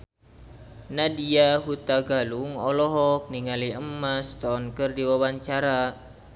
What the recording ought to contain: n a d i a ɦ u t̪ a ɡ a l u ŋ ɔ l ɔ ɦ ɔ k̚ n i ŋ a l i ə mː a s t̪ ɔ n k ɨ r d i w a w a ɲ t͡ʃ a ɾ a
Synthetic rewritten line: n a d i a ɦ u t̪ a ɡ a l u ŋ ɔ l ɔ ɦ ɔ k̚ n i ŋ a l i ə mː a s t̪ ɔ n k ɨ r d i w a w a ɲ t͡ʃ a ɾ a